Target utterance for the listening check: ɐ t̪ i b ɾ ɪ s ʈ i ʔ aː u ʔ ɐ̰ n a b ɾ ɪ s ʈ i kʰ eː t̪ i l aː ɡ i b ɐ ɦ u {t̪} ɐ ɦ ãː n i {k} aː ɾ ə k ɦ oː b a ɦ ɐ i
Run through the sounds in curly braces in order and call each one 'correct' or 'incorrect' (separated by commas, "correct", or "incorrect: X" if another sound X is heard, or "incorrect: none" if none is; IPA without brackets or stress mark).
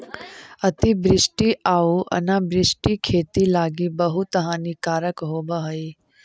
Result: correct, correct